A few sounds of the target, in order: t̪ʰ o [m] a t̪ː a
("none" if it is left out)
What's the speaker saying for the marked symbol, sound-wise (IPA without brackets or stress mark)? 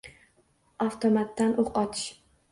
m